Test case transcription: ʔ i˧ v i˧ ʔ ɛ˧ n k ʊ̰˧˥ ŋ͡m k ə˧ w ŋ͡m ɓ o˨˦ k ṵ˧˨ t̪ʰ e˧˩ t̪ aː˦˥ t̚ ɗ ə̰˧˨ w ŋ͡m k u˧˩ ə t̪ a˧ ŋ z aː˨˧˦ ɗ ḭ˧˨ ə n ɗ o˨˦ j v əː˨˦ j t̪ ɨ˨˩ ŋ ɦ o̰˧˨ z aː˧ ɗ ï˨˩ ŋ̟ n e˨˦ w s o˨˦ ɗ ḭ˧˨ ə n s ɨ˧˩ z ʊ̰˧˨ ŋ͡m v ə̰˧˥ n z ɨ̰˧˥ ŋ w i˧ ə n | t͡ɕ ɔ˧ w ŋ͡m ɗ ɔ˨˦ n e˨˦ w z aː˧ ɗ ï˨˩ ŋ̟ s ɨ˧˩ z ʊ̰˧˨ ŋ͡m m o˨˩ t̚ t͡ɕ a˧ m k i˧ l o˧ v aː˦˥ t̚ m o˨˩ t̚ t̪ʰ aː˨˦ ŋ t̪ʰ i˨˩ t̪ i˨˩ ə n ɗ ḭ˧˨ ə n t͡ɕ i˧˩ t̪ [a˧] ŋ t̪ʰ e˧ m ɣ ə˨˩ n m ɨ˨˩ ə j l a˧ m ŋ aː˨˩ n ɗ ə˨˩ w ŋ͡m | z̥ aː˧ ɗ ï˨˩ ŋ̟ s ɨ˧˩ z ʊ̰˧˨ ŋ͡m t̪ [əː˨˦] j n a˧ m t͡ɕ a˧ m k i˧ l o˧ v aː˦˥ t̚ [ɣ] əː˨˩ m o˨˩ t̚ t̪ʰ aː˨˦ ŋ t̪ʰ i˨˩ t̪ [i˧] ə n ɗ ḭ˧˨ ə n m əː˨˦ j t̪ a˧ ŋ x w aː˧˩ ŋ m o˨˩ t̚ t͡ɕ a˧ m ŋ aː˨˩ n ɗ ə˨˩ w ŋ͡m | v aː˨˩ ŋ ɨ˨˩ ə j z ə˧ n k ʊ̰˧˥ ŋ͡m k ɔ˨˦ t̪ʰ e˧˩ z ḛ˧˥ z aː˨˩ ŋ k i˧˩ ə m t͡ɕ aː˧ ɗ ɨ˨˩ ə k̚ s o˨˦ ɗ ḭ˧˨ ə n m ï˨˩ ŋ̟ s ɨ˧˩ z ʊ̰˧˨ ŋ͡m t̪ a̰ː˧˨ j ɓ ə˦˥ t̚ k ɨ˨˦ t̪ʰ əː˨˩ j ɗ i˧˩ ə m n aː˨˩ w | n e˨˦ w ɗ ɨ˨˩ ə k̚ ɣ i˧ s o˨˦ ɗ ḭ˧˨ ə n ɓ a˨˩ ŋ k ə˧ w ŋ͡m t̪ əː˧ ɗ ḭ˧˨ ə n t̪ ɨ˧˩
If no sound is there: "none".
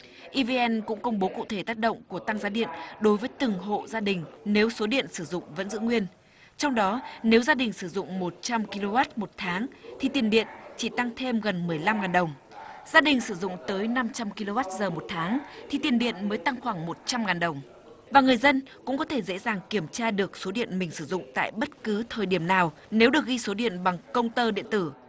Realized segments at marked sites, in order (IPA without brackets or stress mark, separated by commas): a˧, əː˨˦, z, i˨˩